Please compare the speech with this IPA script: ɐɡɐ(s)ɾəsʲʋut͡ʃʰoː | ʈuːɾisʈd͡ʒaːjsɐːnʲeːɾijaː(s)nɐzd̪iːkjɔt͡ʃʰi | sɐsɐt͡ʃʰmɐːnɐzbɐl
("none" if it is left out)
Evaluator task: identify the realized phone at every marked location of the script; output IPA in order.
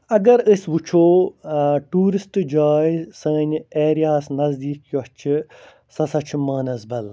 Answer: none, s

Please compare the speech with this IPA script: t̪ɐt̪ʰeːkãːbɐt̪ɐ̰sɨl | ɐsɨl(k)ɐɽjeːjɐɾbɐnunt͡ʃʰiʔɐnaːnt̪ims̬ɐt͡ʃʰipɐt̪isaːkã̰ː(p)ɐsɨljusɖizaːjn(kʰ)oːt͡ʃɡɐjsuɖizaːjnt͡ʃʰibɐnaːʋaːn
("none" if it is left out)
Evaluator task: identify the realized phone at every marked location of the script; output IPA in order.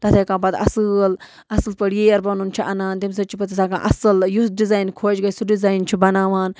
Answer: p, ʔ, kʰ

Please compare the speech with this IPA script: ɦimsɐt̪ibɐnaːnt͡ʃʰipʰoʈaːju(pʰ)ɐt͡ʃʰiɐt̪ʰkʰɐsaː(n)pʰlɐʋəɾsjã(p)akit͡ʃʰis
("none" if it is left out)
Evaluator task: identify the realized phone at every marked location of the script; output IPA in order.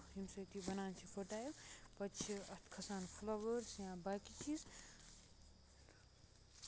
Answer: p, n, b

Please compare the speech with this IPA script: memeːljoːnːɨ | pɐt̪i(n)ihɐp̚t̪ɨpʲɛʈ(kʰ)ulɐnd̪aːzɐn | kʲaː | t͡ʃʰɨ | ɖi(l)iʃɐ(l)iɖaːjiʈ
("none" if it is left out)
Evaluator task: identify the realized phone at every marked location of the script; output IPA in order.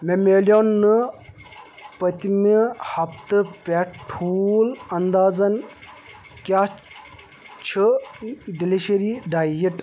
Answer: m, ʈʰ, l, ɾ

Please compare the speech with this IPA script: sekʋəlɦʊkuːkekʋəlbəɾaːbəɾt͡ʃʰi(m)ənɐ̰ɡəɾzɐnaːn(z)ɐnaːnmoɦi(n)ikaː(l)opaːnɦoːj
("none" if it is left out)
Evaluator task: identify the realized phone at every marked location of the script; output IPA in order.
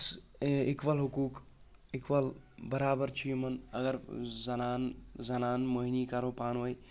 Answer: m, z, n, ɾ

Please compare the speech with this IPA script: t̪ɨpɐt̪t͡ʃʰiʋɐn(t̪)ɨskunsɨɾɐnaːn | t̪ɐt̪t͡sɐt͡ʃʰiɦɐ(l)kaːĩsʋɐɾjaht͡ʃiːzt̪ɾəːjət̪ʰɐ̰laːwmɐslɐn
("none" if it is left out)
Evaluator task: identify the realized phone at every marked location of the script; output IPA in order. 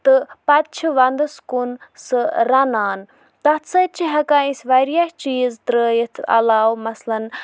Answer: d̪, none

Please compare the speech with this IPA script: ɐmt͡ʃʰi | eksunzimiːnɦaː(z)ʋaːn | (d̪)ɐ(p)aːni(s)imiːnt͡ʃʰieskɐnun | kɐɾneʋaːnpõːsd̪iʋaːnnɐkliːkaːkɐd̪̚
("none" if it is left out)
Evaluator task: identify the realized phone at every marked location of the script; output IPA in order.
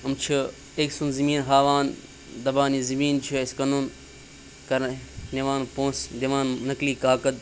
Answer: none, d̪, b, z

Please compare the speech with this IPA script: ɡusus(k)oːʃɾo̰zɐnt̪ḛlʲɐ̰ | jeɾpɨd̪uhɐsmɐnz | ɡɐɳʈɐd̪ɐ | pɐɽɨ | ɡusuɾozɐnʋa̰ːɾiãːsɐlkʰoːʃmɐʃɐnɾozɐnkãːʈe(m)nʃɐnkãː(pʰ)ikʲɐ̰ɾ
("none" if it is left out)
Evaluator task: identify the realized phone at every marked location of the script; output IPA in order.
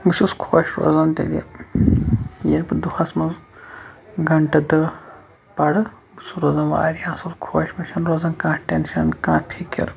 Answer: kʰ, none, pʰ

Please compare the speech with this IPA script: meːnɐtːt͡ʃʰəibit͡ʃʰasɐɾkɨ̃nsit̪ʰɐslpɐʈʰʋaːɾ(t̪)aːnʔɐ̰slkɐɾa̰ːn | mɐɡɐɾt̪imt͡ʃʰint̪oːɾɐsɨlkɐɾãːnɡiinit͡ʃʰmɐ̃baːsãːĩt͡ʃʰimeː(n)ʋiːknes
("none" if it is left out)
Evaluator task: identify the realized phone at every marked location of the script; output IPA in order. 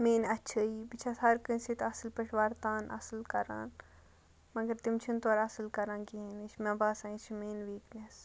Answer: t̪, n

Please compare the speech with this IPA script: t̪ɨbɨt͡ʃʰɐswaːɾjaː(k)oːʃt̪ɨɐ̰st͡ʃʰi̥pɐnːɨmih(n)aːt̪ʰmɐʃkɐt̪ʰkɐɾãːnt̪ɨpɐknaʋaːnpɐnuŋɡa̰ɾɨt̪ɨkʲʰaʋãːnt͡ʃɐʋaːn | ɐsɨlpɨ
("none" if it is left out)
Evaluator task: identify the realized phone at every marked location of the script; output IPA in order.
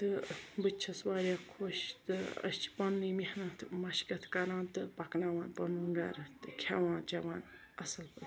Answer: kʰ, n

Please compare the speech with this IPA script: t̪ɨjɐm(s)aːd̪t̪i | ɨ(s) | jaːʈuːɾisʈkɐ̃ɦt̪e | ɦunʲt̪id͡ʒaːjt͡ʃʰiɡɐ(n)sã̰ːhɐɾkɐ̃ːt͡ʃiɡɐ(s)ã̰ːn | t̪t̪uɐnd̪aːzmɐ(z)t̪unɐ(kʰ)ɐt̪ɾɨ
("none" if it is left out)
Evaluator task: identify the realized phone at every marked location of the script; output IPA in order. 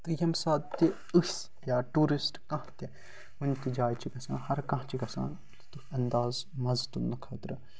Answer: s, s, none, s, z, kʰ

